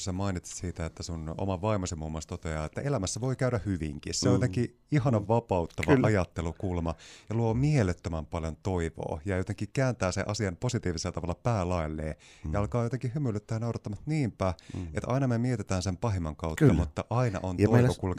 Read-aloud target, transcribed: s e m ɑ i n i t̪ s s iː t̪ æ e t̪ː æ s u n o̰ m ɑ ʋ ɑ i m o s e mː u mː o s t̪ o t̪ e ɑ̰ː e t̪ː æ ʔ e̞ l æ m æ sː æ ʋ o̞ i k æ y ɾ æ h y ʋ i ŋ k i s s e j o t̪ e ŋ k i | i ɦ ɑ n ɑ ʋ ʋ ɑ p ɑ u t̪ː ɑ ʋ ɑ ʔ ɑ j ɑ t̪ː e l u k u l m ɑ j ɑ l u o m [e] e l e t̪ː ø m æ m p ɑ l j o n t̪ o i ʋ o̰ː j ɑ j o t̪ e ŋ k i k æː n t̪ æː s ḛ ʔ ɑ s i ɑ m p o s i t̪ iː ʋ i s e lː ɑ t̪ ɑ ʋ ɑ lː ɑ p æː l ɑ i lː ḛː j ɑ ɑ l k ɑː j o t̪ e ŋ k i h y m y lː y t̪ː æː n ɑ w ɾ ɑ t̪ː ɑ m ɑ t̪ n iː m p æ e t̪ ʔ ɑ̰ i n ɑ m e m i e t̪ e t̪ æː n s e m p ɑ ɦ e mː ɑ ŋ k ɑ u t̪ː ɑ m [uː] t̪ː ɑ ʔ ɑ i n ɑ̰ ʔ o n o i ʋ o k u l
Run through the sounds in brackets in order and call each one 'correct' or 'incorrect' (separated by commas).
incorrect, incorrect